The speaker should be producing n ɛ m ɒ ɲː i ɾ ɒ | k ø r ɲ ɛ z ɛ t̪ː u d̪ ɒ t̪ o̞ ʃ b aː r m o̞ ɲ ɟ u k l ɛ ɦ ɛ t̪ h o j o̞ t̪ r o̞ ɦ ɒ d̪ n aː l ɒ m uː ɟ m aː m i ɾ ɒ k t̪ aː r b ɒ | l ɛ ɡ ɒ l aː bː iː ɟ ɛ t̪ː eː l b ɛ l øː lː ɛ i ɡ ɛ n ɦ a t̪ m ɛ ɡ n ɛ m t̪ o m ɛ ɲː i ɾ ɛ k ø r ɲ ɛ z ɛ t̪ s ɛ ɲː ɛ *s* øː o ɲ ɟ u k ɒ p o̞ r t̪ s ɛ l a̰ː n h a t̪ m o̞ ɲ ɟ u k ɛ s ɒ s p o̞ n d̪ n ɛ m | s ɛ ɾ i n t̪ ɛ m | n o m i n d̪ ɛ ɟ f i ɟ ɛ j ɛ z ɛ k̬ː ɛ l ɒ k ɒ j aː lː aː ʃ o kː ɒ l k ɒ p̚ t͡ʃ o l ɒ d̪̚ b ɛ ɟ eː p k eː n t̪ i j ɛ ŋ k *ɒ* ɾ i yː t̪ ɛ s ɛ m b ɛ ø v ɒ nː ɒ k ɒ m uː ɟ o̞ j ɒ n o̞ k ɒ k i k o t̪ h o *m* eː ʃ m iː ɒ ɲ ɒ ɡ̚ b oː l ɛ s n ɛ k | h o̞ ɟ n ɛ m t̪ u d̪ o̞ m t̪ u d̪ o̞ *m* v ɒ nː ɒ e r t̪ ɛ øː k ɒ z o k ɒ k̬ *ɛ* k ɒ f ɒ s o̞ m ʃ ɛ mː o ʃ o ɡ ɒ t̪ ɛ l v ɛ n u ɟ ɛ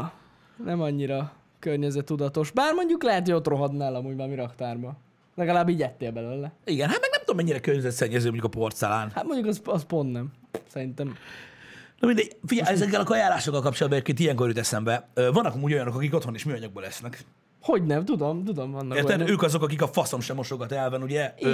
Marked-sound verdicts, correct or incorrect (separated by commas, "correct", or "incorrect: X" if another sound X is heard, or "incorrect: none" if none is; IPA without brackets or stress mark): incorrect: z, incorrect: o, incorrect: n, correct, incorrect: i